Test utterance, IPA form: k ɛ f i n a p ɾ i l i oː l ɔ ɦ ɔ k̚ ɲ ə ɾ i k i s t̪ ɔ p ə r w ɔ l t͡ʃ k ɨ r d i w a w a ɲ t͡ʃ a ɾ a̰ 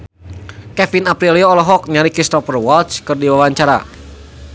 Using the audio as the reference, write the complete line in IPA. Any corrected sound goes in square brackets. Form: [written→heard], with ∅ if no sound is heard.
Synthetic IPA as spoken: k ɛ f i n a p ɾ i l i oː l ɔ ɦ ɔ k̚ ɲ [ə→a] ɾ i k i s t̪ ɔ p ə r w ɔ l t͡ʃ k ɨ r d i w a w a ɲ t͡ʃ a ɾ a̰